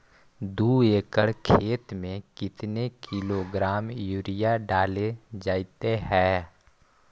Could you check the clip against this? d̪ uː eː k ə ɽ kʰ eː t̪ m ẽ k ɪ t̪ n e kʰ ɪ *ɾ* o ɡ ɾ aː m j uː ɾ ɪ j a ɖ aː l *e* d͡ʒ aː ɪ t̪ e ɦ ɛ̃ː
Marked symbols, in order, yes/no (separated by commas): no, yes